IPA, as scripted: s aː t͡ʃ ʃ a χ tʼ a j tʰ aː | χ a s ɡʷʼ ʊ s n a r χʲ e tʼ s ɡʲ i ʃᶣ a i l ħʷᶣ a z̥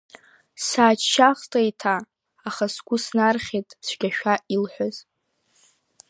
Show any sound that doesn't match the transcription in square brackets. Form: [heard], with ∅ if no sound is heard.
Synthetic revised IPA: s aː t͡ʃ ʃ a χ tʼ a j tʰ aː | χ a s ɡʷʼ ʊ s n a r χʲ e tʼ s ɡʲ [a] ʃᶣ a i l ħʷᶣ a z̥